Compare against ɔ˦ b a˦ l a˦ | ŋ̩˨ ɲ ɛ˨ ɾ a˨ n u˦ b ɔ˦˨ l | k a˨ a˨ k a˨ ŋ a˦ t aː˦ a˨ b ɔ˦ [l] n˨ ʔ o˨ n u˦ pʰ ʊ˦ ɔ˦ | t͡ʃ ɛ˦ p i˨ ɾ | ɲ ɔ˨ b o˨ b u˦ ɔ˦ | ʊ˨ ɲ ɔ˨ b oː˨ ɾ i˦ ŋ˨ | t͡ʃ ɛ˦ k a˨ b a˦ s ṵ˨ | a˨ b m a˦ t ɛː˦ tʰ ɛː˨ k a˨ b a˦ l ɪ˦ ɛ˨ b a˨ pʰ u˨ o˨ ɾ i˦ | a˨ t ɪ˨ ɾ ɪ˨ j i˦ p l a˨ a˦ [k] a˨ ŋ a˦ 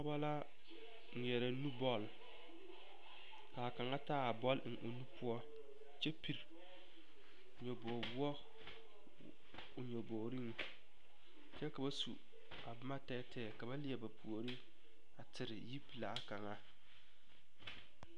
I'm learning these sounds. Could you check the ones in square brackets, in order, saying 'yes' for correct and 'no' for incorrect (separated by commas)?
yes, yes